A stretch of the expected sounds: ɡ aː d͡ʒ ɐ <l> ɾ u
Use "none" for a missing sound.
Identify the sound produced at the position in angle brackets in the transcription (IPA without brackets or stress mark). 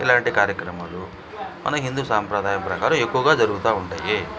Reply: none